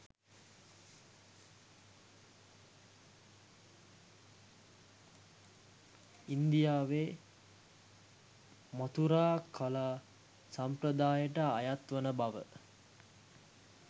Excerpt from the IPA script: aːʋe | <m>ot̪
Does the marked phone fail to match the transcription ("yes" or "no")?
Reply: no